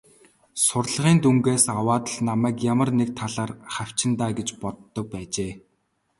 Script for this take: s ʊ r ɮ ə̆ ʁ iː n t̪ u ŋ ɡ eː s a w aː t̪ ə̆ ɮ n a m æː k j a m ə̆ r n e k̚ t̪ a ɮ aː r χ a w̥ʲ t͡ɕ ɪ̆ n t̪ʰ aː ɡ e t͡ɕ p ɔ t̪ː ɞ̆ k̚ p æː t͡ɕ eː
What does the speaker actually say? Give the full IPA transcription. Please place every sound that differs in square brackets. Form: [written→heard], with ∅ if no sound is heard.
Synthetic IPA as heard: s ʊ r ɮ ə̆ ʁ iː n t̪ u ŋ ɡ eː s a w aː t̪ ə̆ ɮ n a m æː k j a m ə̆ r n e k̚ [t̪→t̪ʰ] a ɮ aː r χ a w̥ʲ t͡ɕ ɪ̆ n [t̪ʰ→t̪] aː ɡ e t͡ɕ p ɔ t̪ː ɞ̆ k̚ p æː t͡ɕ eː